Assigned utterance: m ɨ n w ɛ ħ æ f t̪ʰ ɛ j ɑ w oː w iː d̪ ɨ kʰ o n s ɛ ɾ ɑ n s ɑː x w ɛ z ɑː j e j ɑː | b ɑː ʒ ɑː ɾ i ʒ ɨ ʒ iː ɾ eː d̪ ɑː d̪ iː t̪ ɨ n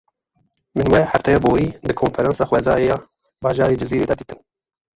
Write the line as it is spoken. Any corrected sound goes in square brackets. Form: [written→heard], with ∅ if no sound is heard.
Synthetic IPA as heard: m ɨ n w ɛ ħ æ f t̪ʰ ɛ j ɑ [w→b] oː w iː d̪ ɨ kʰ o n [s→f] ɛ ɾ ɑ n s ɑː x w ɛ z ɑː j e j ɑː | b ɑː ʒ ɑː ɾ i [ʒ→d͡ʒ] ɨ [ʒ→z] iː ɾ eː d̪ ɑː d̪ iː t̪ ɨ n